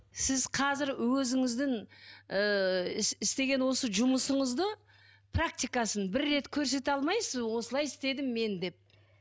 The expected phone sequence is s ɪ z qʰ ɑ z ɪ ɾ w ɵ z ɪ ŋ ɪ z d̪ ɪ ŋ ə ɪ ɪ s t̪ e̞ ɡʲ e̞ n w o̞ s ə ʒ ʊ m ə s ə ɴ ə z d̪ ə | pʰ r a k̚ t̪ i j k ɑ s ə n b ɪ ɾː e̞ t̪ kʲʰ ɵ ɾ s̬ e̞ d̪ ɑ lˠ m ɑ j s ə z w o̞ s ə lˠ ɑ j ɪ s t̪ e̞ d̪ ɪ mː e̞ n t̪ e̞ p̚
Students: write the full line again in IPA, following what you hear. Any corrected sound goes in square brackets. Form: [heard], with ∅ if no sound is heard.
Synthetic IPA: s ɪ z qʰ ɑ z ɪ ɾ w ɵ z ɪ ŋ ɪ z d̪ ɪ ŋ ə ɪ ɪ s t̪ e̞ ɡʲ e̞ n w o̞ s ə ʒ ʊ m ə s ə ɴ ə z d̪ ə | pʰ r a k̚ t̪ i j k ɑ s ə n b ɪ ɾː e̞ t̪ kʲʰ ɵ ɾ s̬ e̞ [t̪] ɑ lˠ m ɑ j s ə z w o̞ s ə lˠ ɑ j ɪ s t̪ e̞ d̪ ɪ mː e̞ n [d̪] e̞ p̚